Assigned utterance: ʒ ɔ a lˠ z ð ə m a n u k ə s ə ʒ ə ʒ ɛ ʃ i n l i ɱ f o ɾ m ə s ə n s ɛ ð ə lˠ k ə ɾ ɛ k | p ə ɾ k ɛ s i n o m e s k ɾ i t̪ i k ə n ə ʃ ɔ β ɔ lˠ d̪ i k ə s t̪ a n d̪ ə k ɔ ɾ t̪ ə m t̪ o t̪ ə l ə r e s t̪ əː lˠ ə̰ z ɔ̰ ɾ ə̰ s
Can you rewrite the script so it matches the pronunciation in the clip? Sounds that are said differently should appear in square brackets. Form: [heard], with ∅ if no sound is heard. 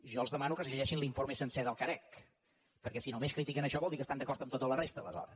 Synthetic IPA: ʒ ɔ [ə] lˠ z ð ə m a n u k ə s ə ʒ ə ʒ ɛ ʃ i n l i ɱ f o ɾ m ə s ə n s ɛ ð ə lˠ k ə ɾ ɛ k | p ə ɾ k ɛ s i n o m e s k ɾ i t̪ i k ə n ə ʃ ɔ β ɔ lˠ d̪ i k ə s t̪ a n d̪ ə k ɔ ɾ t̪ ə m t̪ o t̪ ə l ə r e s t̪ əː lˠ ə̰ z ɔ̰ ɾ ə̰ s